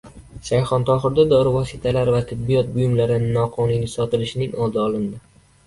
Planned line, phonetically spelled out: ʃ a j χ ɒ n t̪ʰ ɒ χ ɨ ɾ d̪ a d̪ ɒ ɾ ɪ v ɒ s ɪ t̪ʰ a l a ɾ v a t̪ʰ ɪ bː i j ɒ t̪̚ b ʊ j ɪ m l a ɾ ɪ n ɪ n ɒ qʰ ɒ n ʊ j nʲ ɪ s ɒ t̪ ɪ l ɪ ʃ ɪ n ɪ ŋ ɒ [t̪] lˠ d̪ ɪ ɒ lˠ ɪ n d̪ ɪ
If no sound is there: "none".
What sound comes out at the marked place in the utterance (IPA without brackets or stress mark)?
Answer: none